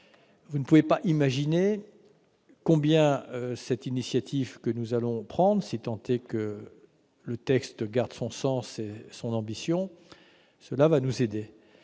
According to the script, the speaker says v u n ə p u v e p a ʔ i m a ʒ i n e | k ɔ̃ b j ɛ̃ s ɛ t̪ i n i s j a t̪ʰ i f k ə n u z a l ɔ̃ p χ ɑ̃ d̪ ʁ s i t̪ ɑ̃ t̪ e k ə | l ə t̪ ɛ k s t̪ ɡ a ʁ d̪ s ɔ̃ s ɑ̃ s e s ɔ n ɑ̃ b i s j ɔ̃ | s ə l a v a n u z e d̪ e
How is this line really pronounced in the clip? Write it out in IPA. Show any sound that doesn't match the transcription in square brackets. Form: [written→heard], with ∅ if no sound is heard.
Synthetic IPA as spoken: v u n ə p u v e p a ʔ i m a ʒ i n e | k ɔ̃ b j ɛ̃ s ɛ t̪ i n i s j a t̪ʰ i [f→v] k ə n u z a l ɔ̃ p χ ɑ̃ d̪ ʁ s i t̪ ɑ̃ t̪ e k ə | l ə t̪ ɛ k s t̪ ɡ a ʁ d̪ s ɔ̃ s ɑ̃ s e s [ɔ→ɔ̃] n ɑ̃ b i s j ɔ̃ | s ə l a v a n u z e d̪ e